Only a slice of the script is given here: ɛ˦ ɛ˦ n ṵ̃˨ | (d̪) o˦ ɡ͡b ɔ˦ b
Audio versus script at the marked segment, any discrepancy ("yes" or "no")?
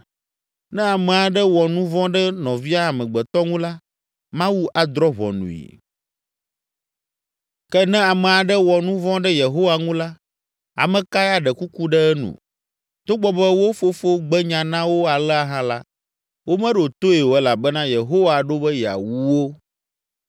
yes